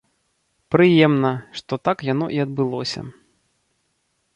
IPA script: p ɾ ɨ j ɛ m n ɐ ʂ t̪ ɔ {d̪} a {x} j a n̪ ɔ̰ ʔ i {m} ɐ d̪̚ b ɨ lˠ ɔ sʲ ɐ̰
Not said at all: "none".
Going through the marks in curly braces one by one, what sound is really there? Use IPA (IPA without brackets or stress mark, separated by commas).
t̪, k, none